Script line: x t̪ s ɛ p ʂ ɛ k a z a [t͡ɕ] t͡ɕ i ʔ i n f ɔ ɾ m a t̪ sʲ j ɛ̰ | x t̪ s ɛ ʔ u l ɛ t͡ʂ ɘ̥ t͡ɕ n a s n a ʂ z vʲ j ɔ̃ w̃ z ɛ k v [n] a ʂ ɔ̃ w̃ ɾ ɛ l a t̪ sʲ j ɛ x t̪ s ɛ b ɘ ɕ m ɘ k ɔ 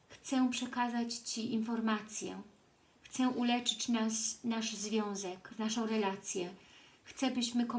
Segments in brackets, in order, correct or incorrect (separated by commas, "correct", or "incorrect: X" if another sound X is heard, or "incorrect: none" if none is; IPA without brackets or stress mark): correct, correct